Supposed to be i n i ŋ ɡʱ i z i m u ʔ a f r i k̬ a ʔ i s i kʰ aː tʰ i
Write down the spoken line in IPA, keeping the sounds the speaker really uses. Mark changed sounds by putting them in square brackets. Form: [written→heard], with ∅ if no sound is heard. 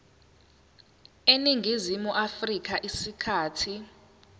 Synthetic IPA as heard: [i→e] n i ŋ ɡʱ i z i m u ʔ a f r i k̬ a ʔ i s i kʰ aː tʰ i